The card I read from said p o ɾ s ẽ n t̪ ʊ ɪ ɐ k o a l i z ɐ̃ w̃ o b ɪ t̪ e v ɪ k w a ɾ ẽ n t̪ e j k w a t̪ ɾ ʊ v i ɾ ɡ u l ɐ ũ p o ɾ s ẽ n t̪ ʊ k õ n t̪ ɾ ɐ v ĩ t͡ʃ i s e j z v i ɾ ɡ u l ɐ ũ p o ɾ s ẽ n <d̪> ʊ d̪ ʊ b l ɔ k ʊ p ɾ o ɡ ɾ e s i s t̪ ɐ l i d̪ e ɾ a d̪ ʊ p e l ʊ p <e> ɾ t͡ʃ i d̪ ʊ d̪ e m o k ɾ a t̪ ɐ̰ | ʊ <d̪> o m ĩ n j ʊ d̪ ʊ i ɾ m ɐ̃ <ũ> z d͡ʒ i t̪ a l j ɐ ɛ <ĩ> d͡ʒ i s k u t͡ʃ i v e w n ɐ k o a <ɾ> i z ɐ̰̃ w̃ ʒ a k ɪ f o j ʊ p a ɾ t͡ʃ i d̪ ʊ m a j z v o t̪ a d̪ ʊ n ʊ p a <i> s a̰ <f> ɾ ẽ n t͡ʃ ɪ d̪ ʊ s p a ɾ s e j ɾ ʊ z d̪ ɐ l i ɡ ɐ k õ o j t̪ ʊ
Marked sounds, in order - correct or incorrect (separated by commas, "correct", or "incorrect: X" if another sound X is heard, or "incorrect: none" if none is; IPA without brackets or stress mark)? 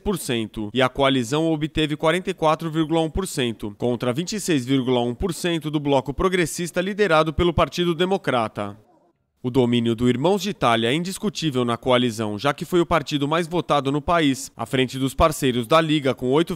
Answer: incorrect: t̪, incorrect: a, correct, incorrect: w̃, correct, incorrect: l, correct, correct